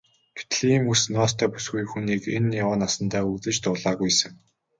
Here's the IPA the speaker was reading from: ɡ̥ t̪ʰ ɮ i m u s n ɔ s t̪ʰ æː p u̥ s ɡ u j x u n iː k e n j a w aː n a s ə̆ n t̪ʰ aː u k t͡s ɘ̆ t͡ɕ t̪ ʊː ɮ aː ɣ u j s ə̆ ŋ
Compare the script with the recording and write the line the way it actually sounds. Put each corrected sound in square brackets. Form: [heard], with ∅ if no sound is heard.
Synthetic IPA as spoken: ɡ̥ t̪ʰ ɮ i m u s n ɔ s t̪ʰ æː p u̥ s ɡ u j x u n iː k e n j a w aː n a s ə̆ n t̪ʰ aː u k t͡s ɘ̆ t͡ɕ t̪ ʊː ɮ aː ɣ u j s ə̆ ŋ